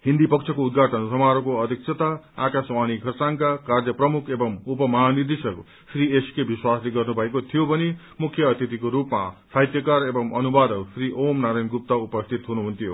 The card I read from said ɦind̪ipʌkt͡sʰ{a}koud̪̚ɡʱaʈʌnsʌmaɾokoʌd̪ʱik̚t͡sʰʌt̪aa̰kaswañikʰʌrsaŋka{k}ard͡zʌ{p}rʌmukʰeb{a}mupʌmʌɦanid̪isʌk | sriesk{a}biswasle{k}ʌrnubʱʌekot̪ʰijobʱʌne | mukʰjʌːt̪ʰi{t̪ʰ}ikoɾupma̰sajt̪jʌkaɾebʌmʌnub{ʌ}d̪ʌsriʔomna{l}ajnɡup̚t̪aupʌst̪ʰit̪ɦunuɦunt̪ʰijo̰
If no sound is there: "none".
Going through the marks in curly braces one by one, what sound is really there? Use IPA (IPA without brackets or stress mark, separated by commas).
ʌ, k, p, ʌ, e, ɡ, t̪, a, ɾ